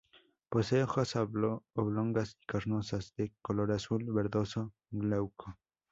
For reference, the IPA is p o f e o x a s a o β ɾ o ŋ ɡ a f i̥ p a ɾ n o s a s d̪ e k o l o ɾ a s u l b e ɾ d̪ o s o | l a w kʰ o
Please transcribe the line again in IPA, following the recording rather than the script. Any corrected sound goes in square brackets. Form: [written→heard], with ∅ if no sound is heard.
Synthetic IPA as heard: p o [f→s] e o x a s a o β [ɾ→l] o ŋ ɡ a [f→s] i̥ [p→k] a ɾ n o s a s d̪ e k o l o ɾ a s u l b e ɾ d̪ o s o | l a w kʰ o